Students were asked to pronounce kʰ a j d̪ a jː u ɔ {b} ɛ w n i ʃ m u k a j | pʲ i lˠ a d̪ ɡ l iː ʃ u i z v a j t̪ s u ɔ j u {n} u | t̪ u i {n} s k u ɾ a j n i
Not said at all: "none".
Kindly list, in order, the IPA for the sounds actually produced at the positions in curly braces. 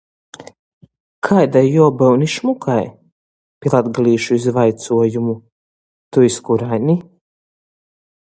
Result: b, m, none

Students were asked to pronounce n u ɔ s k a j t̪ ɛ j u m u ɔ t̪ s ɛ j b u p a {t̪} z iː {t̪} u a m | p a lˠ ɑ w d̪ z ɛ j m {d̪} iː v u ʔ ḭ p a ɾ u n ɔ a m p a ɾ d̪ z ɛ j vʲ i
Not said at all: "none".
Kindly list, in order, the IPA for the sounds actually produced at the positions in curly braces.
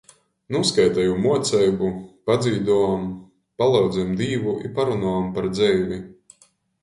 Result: d̪, d̪, d̪

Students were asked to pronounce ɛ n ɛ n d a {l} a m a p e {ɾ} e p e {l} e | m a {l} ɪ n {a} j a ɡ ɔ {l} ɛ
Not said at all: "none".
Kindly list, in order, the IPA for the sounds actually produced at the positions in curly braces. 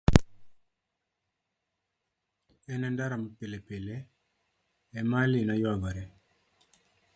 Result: ɾ, l, l, l, a, ɾ

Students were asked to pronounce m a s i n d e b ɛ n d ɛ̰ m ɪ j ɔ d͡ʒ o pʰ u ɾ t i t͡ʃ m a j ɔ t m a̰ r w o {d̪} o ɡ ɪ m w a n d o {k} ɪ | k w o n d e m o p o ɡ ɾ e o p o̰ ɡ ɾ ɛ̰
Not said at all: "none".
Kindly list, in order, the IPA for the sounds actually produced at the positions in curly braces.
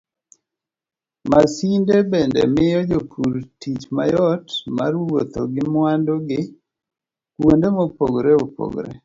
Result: t̪, ɡ

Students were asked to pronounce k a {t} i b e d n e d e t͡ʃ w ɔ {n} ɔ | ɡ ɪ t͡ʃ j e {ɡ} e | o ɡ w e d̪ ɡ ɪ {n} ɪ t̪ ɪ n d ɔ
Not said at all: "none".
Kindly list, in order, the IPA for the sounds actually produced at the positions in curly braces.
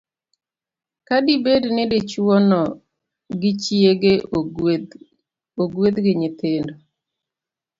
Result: d, n, ɡ, ɲ

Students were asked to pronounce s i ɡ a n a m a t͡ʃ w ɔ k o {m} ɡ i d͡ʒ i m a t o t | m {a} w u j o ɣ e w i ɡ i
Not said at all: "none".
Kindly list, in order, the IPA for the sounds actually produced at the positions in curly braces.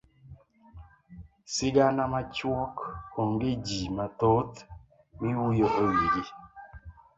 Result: ŋ, i

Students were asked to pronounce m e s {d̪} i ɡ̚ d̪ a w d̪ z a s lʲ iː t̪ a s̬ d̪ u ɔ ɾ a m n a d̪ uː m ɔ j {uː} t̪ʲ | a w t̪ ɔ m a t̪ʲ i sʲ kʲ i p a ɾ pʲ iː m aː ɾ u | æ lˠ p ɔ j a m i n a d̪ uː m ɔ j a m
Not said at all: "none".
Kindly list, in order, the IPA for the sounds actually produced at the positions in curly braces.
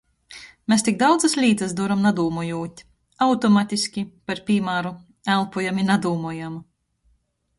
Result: t̪, uː

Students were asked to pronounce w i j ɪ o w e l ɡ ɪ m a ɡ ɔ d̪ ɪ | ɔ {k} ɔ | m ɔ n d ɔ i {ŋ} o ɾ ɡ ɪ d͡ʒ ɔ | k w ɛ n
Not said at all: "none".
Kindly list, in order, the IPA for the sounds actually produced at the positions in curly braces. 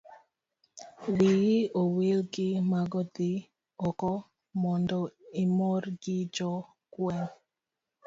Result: k, m

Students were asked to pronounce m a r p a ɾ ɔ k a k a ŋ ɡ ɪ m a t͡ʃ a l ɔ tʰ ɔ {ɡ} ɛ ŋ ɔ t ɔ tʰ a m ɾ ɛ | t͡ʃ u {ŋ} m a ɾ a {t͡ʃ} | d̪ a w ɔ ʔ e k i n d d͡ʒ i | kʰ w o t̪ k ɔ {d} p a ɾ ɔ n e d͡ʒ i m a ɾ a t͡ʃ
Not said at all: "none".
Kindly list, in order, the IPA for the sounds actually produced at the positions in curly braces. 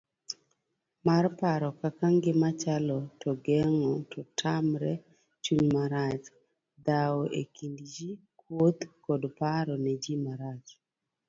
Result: ɡ, ɲ, t͡ʃ, d

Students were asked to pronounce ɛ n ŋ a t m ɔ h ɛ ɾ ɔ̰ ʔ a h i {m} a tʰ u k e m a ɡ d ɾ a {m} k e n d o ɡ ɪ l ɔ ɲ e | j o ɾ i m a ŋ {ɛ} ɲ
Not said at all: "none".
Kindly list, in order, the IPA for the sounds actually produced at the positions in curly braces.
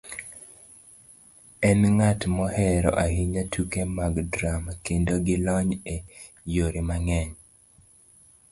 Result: ɲ, m, ɛ

